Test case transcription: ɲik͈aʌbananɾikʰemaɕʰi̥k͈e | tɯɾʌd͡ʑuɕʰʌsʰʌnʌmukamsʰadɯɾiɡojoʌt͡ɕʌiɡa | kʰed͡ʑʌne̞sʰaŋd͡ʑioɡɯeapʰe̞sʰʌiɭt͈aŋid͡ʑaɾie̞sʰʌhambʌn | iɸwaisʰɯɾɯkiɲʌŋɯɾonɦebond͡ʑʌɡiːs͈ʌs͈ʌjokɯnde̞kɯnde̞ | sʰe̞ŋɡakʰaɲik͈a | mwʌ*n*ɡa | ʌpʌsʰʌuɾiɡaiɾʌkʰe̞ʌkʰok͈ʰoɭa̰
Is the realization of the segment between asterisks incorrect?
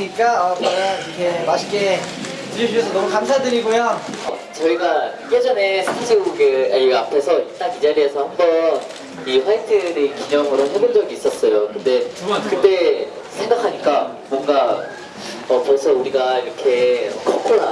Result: yes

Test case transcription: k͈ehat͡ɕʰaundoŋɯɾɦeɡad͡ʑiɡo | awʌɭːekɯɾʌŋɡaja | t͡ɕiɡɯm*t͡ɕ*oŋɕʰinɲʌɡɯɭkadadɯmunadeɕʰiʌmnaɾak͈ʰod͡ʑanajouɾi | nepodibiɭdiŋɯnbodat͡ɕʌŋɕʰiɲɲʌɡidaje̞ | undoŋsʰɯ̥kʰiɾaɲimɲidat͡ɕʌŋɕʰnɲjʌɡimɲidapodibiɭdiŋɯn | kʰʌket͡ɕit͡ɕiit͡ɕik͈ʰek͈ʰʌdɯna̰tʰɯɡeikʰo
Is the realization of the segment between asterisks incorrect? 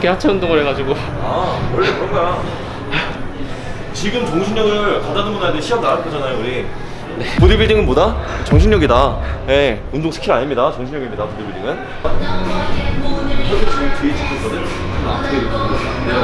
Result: no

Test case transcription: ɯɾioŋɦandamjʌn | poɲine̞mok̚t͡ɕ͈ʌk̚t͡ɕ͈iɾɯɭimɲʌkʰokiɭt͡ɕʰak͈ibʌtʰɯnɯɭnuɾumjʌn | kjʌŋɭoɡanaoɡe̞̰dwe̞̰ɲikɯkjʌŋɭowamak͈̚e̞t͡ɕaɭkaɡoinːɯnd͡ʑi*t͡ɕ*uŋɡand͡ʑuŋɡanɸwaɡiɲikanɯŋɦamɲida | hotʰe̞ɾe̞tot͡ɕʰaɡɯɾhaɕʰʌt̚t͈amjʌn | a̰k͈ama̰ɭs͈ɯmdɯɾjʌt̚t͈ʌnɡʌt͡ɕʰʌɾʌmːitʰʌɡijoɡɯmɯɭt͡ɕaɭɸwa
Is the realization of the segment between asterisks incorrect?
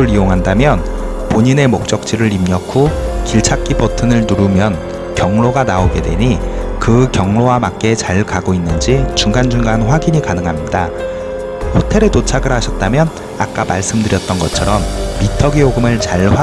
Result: no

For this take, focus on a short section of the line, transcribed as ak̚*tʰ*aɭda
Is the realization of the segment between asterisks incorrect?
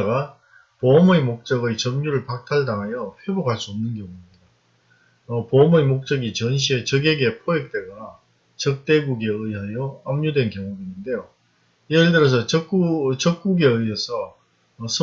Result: no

